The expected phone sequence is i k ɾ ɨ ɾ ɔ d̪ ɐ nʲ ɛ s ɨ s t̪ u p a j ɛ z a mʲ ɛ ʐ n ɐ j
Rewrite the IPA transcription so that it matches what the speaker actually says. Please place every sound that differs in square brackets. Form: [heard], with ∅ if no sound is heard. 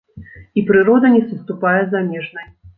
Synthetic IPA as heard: i [p] ɾ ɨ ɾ ɔ d̪ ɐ nʲ ɛ s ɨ s t̪ u p a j ɛ z a mʲ ɛ ʐ n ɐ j